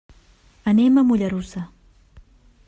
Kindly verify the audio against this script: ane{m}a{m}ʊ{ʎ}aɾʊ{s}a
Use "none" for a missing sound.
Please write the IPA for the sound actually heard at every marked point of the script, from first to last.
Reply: m, m, ʎ, s

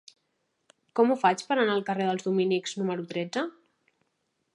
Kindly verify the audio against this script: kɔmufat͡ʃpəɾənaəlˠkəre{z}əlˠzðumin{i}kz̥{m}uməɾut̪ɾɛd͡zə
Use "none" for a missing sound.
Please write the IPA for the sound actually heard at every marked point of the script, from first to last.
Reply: ð, i, n

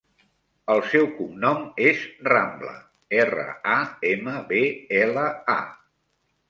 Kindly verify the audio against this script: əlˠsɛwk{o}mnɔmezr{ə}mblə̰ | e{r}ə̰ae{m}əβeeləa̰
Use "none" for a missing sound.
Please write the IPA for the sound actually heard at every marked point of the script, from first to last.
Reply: u, a, r, m

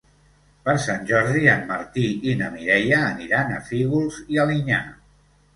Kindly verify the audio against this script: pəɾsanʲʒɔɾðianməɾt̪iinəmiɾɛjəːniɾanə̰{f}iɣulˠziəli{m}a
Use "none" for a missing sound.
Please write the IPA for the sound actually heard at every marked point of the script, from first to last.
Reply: f, ɲ

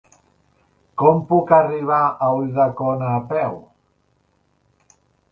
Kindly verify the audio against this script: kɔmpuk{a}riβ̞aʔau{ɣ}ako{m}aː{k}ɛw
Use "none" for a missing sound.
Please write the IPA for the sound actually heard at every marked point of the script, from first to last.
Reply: a, ð, n, p

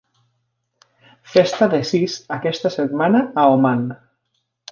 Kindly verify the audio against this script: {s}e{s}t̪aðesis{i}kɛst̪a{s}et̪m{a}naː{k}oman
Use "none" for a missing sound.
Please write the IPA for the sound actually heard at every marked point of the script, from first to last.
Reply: f, s, a, s, a, none

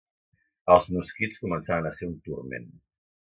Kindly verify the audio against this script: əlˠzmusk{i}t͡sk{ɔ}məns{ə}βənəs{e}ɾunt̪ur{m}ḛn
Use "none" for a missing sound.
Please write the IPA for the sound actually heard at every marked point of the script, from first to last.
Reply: i, u, a, e, m

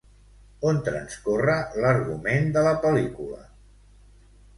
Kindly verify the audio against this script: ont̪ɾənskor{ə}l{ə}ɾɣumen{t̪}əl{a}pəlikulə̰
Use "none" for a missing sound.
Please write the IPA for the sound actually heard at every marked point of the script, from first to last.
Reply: ə, ə, d̪, ə

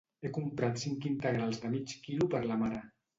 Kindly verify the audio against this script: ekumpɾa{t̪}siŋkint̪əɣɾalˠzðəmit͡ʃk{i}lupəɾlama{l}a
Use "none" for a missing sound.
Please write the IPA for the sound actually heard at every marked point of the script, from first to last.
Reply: t̪, i, ɾ

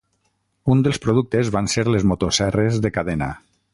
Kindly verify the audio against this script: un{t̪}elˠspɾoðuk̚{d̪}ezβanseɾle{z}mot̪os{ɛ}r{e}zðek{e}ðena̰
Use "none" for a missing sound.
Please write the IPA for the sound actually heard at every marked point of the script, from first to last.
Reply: d̪, t̪, z, ɛ, e, a

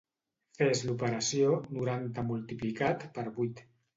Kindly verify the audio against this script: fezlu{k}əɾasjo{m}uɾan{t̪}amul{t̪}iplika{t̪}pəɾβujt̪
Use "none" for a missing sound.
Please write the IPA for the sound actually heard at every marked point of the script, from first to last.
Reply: p, n, t̪, t̪, t̪

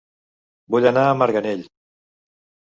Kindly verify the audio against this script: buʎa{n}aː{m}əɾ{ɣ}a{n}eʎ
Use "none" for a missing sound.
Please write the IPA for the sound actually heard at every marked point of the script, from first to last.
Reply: n, m, ɣ, n

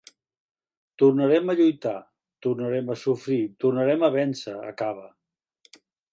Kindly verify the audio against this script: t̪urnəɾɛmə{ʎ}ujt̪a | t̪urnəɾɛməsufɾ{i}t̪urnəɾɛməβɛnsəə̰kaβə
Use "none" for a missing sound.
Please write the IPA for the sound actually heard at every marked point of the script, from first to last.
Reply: ʎ, i

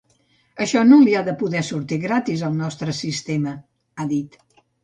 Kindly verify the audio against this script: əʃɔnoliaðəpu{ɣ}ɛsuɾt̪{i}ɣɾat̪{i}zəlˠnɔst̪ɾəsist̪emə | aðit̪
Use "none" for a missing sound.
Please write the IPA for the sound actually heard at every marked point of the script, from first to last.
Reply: ð, i, i

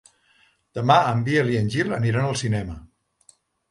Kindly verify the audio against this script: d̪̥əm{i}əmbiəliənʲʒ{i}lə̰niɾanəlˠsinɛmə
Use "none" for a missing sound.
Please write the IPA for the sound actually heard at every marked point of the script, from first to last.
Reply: a, i

